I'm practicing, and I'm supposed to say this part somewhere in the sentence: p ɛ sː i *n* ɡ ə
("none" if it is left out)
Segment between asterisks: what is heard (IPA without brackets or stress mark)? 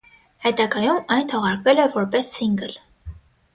ŋ